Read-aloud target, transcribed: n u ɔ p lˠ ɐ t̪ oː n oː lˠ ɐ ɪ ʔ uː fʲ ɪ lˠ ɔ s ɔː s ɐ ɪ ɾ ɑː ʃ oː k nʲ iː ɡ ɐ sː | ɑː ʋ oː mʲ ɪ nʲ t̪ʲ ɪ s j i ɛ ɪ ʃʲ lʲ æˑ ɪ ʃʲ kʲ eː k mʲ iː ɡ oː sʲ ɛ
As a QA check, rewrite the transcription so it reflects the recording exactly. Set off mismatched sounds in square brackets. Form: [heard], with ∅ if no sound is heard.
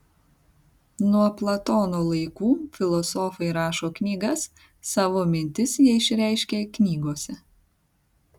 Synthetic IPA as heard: n u ɔ p lˠ ɐ t̪ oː n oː lˠ ɐ ɪ [k] uː fʲ ɪ lˠ ɔ s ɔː [f] ɐ ɪ ɾ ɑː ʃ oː k nʲ iː ɡ ɐ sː | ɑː ʋ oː mʲ ɪ nʲ t̪ʲ ɪ s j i ɛ ɪ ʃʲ [ɾʲ] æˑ ɪ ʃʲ kʲ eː k [nʲ] iː ɡ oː sʲ ɛ